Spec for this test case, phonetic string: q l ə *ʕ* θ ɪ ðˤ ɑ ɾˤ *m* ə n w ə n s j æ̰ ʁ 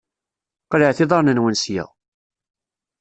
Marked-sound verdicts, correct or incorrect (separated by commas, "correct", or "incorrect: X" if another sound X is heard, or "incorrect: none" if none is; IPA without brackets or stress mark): correct, incorrect: n